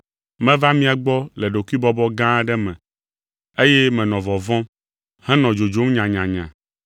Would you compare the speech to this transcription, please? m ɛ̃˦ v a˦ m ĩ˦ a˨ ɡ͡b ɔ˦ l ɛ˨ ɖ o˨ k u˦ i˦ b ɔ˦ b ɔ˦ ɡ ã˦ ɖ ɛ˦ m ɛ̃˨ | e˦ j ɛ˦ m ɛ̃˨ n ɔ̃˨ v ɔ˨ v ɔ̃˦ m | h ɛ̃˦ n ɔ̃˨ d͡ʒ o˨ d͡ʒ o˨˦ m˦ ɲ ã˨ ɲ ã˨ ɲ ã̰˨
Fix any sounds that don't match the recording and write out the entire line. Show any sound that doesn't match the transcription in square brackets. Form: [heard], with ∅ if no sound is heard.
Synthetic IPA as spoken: m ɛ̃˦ v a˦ m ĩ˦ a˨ ɡ͡b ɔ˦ l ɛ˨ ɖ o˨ k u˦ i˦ b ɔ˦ b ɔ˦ ɡ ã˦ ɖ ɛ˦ m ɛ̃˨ | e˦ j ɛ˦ m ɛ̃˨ n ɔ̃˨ v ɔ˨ v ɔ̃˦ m | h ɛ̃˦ n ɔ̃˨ d͡ʒ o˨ d͡ʒ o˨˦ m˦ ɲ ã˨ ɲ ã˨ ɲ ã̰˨